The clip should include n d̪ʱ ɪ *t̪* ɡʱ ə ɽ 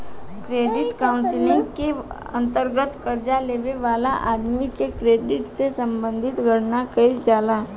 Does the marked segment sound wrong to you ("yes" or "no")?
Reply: no